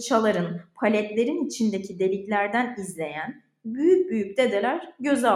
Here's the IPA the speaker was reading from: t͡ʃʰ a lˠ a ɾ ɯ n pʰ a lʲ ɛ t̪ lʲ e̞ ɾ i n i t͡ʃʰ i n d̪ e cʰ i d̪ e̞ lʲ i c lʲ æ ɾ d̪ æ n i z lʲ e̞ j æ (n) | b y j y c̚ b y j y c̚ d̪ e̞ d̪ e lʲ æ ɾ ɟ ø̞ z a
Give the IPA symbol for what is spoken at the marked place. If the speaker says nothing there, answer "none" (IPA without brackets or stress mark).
n